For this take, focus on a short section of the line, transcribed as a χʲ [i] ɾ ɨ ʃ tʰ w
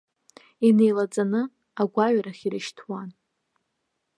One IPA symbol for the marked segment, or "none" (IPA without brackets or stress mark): i